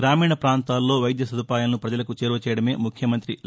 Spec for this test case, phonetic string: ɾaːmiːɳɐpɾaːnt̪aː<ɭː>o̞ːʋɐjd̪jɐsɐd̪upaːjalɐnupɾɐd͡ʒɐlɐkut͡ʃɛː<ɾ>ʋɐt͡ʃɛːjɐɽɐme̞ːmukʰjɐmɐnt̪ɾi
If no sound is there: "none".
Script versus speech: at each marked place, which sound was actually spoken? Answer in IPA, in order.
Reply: lː, ɾ

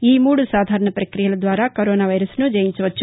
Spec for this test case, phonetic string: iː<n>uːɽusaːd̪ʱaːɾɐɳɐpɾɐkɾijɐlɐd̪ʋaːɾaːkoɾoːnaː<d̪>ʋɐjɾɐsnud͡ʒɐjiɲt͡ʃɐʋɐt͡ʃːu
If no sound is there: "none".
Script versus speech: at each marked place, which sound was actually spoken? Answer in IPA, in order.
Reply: m, none

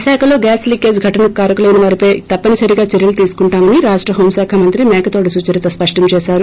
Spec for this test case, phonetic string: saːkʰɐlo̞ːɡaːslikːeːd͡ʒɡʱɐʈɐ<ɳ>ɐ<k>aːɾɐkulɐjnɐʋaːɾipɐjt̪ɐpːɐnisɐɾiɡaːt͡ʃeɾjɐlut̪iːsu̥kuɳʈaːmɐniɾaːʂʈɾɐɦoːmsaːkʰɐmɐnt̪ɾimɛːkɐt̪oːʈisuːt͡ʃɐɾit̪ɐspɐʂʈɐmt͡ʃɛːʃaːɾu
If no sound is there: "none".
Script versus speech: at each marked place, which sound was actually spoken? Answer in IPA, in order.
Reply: n, k

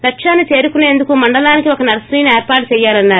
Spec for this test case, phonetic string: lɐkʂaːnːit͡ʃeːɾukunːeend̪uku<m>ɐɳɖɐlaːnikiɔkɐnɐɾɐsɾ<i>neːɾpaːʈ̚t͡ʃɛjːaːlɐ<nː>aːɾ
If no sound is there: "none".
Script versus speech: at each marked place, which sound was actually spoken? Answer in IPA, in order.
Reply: m, iː, nː

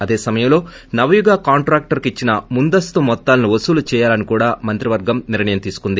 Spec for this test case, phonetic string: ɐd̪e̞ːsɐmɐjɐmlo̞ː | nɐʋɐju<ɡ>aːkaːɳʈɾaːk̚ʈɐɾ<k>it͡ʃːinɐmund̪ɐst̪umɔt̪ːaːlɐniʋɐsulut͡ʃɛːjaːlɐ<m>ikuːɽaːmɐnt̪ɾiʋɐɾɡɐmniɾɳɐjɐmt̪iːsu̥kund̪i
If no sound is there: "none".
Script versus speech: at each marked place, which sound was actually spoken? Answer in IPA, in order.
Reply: ɡ, k, n

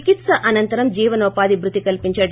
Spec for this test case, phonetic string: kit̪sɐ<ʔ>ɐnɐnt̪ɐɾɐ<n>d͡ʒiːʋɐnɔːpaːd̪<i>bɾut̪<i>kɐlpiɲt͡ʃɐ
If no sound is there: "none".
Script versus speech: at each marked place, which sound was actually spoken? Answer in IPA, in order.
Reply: ʔ, m, i, i

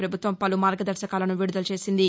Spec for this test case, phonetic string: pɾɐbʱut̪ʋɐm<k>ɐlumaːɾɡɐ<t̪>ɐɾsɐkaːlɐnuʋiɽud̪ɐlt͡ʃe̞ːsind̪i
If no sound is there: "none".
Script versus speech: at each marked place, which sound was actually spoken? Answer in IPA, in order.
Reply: p, d̪

